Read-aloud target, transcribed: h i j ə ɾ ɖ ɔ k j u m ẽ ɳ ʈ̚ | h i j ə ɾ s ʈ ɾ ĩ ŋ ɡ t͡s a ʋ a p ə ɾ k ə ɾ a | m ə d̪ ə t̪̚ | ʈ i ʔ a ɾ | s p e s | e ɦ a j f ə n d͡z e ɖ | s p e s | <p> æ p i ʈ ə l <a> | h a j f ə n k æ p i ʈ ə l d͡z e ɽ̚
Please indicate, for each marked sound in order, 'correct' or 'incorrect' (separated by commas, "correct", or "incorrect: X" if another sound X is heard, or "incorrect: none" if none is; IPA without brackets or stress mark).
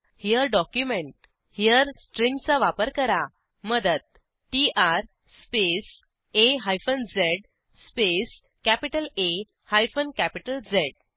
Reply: incorrect: k, incorrect: e